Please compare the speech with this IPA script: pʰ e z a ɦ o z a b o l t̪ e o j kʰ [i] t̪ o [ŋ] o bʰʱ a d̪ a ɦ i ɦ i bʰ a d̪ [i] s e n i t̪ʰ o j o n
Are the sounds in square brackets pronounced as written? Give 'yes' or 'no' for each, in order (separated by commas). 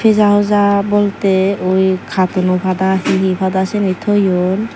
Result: no, no, no